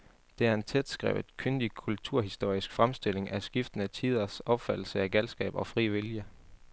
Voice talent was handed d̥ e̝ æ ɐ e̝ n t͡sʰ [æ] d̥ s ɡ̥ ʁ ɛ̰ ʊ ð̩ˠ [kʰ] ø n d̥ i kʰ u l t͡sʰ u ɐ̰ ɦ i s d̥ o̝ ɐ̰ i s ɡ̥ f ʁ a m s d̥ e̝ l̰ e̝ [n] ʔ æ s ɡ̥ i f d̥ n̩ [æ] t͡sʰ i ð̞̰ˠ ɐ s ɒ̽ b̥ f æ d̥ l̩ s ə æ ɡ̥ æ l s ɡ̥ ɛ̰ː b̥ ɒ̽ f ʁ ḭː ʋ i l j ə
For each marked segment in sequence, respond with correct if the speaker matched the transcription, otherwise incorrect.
incorrect: e, correct, incorrect: ŋ, correct

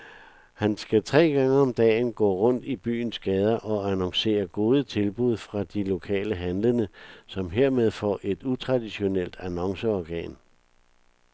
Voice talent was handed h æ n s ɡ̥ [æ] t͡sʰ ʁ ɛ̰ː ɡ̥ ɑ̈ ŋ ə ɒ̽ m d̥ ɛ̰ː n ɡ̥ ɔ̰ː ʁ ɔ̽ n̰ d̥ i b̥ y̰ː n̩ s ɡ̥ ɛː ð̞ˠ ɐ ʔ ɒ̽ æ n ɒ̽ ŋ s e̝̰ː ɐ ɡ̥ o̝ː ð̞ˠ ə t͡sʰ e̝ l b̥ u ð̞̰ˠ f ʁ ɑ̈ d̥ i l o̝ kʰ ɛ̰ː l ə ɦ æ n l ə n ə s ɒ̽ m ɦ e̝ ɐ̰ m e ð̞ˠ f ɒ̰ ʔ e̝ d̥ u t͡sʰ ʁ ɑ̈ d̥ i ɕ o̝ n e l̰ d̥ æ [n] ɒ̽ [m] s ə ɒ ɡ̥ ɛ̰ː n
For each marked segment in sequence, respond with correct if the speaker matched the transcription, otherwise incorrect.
correct, correct, incorrect: ŋ

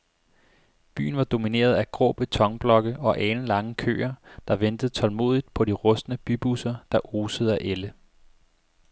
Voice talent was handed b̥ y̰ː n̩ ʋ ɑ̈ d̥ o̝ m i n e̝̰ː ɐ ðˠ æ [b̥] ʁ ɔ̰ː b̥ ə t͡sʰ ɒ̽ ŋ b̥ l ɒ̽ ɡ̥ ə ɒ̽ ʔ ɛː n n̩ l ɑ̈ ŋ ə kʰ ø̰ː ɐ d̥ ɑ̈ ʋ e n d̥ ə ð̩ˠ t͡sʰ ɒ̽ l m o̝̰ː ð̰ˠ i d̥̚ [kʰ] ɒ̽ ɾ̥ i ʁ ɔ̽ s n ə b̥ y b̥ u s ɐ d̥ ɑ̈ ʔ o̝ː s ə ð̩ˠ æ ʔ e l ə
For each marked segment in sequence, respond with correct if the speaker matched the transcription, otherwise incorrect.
incorrect: ɡ̥, incorrect: pʰ

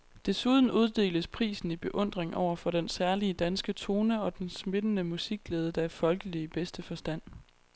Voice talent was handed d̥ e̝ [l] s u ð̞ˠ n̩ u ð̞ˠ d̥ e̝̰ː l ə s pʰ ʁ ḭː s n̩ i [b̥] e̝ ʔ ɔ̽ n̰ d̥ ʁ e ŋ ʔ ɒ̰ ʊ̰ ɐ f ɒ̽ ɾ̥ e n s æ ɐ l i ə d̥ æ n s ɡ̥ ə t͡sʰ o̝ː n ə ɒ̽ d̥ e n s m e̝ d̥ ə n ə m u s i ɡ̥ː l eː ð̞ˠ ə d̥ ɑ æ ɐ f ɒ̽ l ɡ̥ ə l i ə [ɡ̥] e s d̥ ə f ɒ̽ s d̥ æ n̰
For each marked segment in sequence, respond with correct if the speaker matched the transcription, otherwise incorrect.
incorrect: none, correct, incorrect: b̥

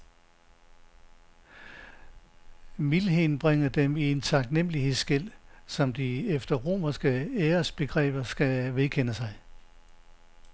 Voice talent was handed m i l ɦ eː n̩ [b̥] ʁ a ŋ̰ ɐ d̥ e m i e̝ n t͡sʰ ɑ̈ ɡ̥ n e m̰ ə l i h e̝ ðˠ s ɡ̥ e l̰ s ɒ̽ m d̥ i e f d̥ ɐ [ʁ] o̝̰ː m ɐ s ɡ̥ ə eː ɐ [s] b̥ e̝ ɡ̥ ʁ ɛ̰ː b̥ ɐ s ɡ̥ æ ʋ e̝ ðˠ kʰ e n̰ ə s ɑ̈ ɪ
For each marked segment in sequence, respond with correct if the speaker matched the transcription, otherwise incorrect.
correct, correct, correct

